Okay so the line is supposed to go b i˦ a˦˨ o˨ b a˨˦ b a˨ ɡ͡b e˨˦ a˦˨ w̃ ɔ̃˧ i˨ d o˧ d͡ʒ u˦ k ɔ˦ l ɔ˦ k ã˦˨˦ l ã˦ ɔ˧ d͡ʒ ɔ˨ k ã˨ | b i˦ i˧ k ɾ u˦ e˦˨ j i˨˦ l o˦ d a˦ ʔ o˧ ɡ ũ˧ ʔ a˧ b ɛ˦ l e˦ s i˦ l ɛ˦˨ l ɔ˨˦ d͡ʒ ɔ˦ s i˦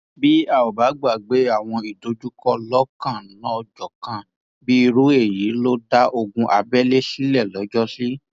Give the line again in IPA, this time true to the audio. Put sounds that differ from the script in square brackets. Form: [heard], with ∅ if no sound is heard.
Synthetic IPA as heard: b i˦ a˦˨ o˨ b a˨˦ [ɡ͡b] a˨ ɡ͡b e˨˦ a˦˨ w̃ ɔ̃˧ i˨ d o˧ d͡ʒ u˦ k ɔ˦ l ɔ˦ k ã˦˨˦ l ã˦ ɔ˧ d͡ʒ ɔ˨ k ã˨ | b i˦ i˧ [∅] ɾ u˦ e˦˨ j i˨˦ l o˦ d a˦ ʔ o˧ ɡ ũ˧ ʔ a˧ b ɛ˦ l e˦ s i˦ l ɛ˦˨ l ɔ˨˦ d͡ʒ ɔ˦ s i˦